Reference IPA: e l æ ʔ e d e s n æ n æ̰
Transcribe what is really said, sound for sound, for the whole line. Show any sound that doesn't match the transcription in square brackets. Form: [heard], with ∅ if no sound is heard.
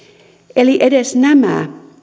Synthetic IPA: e l [i] ʔ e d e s n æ [m] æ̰